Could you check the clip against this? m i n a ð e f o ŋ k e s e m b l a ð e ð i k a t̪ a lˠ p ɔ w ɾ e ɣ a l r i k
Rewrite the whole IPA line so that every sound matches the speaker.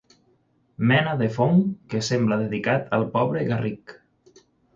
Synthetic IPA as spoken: m ɛ n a ð e f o ŋ k e s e m b l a ð e ð i k a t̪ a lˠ p ɔ β ɾ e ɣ a r i k